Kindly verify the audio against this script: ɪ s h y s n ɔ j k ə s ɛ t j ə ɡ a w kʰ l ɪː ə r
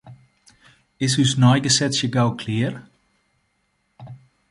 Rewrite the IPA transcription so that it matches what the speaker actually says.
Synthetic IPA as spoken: ɪ s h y s n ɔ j ɡ ə s ɛ s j ə ɡ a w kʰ l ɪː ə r